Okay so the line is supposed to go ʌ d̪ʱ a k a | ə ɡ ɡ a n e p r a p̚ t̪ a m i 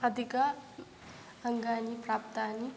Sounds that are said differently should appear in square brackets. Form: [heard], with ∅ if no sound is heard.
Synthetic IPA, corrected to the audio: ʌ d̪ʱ [i] k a | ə [ŋ] ɡ a n [i] p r a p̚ t̪ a [n] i